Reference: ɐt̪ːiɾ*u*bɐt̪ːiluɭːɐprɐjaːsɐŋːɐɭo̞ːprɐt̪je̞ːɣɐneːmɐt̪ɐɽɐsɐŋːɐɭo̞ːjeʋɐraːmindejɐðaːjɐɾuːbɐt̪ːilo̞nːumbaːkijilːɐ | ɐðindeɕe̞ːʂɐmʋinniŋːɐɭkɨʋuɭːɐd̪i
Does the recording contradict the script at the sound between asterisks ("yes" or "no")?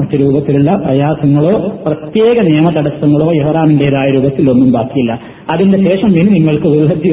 yes